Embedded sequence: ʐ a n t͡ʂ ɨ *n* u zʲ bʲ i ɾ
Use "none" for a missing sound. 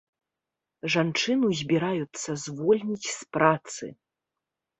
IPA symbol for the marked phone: n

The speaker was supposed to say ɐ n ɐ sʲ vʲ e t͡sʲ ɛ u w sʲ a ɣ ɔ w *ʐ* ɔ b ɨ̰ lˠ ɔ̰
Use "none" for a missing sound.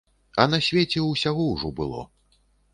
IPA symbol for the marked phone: ʐ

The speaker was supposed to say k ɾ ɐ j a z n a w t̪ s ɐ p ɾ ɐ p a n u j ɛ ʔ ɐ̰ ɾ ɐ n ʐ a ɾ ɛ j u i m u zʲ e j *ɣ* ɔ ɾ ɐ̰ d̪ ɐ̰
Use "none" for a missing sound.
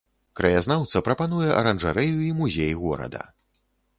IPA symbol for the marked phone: ɣ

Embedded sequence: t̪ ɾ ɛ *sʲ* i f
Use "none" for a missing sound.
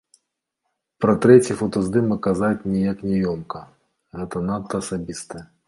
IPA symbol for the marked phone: t͡sʲ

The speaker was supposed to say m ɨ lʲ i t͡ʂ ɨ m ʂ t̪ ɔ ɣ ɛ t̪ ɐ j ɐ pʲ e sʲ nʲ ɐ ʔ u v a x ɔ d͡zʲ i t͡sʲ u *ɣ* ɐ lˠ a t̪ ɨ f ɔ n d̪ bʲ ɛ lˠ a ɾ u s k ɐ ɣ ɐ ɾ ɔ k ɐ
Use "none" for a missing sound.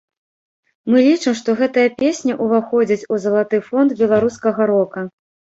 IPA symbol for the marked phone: z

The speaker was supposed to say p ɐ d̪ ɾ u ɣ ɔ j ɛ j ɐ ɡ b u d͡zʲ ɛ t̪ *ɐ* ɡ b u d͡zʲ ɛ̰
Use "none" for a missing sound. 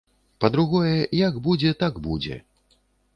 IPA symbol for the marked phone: a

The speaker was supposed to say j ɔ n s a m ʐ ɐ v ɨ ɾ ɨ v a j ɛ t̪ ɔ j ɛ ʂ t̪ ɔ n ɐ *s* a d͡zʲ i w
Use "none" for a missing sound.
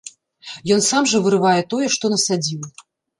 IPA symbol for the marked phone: s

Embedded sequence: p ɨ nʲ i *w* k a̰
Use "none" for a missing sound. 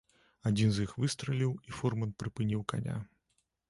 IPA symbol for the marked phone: w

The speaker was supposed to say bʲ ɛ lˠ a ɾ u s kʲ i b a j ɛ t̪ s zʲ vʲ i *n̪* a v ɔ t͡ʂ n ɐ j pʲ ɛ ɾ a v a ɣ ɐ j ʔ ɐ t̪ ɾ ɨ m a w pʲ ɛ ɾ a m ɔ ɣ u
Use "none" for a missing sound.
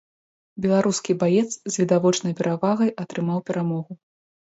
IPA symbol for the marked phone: d̪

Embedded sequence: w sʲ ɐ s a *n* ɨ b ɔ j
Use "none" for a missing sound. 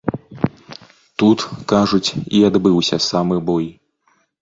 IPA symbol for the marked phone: m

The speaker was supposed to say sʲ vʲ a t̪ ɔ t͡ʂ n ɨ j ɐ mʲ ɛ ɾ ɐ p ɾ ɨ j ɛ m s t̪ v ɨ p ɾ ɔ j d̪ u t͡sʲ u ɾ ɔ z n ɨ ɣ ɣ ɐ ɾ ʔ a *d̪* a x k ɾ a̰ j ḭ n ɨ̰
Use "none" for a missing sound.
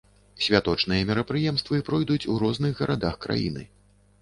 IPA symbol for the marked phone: d̪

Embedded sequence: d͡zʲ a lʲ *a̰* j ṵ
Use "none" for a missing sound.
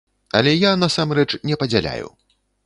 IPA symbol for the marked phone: a̰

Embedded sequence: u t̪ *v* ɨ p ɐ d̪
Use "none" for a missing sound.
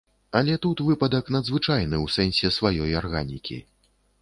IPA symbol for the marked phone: v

